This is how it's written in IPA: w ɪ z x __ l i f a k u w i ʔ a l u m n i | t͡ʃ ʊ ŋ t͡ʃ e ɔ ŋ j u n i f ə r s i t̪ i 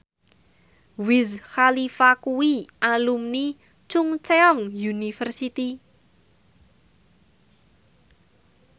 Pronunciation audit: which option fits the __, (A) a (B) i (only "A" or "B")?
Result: A